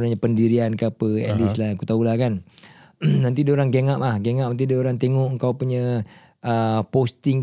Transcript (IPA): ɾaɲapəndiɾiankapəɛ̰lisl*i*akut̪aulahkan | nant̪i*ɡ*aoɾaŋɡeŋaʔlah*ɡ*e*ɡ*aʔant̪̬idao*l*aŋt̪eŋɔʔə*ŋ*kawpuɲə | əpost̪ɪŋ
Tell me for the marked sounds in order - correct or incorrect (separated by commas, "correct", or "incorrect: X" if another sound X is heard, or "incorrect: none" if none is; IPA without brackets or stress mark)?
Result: incorrect: a, incorrect: d, correct, incorrect: ŋ, incorrect: ɾ, correct